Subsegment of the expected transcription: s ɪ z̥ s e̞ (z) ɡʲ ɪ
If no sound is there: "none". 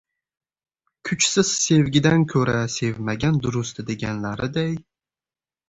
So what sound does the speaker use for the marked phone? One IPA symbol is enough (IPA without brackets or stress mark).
v